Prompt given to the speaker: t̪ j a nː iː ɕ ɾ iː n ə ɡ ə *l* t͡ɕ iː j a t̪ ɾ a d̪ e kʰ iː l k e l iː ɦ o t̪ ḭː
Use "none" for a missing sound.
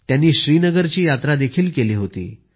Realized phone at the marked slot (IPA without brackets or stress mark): ɾ